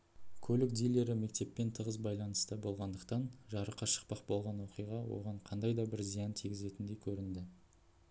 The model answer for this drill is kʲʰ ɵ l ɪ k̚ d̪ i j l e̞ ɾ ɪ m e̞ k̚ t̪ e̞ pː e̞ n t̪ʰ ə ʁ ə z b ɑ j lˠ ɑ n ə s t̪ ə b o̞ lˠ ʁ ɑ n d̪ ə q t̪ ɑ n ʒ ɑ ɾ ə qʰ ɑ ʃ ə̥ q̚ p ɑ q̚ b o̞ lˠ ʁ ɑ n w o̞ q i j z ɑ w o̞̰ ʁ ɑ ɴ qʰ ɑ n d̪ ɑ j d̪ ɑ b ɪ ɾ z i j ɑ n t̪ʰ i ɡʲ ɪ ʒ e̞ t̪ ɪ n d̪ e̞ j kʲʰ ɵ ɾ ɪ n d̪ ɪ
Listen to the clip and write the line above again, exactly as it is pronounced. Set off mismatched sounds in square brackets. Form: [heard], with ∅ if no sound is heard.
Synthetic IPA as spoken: kʲʰ ɵ l ɪ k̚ d̪ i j l e̞ ɾ ɪ m e̞ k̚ t̪ e̞ pː e̞ n t̪ʰ ə ʁ ə z b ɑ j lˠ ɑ n ə s t̪ ə b o̞ lˠ ʁ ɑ n d̪ ə q t̪ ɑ n ʒ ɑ ɾ ə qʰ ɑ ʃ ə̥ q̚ p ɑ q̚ b o̞ lˠ ʁ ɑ n w o̞ q i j [ʁ] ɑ w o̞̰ ʁ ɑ ɴ qʰ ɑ n d̪ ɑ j d̪ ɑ b ɪ ɾ z i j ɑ n t̪ʰ i ɡʲ ɪ [z] e̞ t̪ ɪ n d̪ e̞ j kʲʰ ɵ ɾ ɪ n d̪ ɪ